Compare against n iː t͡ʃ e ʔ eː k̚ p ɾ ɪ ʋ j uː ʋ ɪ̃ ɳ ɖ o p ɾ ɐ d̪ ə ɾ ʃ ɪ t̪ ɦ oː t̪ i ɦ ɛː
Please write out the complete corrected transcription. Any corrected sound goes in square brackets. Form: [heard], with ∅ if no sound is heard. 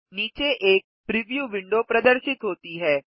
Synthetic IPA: n iː t͡ʃ e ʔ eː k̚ p ɾ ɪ ʋ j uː ʋ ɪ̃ ɳ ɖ o p ɾ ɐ d̪ ə ɾ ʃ ɪ t̪ ɦ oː t̪ i ɦ ɛː